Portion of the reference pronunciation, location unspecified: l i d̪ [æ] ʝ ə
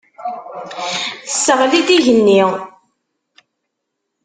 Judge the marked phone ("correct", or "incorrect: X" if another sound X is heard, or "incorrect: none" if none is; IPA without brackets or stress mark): incorrect: i